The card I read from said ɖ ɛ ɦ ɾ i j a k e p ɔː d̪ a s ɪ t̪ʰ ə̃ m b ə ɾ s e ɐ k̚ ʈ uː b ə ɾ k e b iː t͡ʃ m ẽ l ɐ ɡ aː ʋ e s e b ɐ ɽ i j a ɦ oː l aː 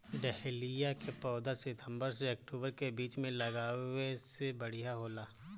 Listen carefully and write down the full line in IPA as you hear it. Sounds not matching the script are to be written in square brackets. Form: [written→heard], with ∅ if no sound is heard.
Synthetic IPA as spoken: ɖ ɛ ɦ [ɾ→l] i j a k e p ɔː d̪ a s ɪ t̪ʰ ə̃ m b ə ɾ s e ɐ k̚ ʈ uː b ə ɾ k e b iː t͡ʃ m ẽ l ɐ ɡ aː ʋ e s e b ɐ ɽ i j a ɦ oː l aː